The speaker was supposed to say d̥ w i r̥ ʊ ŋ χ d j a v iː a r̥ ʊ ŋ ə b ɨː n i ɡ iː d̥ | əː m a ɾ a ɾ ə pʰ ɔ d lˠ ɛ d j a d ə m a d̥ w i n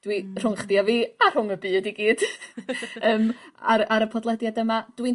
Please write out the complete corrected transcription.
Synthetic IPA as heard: d̥ w i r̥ ʊ ŋ χ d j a v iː a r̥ ʊ ŋ ə b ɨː d i ɡ iː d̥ | əː m a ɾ a ɾ ə pʰ ɔ d lˠ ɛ d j a d ə m a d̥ w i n

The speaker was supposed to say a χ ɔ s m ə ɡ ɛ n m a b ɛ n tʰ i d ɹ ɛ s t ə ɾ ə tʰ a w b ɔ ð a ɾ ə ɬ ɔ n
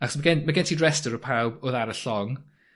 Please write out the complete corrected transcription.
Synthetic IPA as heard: a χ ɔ s m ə ɡ ɛ n m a ɡ ɛ n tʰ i d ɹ ɛ s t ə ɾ ə pʰ a w b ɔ ð a ɾ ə ɬ ɔ ŋ

